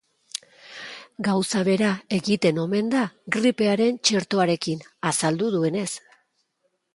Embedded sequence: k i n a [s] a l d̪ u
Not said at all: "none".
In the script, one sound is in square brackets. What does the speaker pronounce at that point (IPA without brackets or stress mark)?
s